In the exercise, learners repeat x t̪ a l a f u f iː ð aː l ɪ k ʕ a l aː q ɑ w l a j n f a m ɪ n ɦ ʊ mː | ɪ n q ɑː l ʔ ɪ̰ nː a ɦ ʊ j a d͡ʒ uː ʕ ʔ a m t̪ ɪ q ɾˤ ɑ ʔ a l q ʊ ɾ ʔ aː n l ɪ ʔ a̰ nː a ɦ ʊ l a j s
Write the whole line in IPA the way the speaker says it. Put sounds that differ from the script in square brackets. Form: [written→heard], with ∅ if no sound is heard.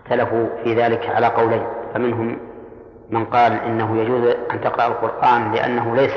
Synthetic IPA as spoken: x t̪ a l a f u f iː ð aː l ɪ k ʕ a l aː q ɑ w l a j n f a m ɪ n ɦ ʊ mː | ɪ n q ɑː l ʔ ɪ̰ nː a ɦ ʊ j a d͡ʒ uː [ʕ→z] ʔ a [m→n] t̪ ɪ q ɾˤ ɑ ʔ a l q ʊ ɾ ʔ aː n l ɪ ʔ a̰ nː a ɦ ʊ l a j s